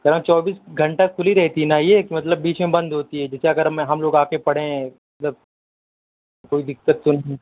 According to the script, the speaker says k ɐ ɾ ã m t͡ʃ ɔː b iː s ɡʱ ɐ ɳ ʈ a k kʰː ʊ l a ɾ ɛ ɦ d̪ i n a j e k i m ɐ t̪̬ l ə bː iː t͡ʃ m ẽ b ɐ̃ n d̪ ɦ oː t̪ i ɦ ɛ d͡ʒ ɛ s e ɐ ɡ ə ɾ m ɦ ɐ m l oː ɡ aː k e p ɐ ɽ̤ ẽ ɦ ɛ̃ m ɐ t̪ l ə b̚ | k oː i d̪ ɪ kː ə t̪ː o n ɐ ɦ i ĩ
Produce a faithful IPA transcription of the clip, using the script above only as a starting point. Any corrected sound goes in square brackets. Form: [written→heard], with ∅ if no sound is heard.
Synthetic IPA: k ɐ ɾ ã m t͡ʃ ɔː b iː s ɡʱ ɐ ɳ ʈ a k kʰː ʊ l [a→i] ɾ ɛ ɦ [d̪→t̪] i n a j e k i m ɐ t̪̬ l ə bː iː t͡ʃ m ẽ b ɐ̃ n d̪ ɦ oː t̪ i ɦ ɛ d͡ʒ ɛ s e ɐ ɡ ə ɾ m ɦ ɐ m l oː ɡ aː k e p ɐ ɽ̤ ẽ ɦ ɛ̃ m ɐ t̪ l ə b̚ | k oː i d̪ ɪ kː ə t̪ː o n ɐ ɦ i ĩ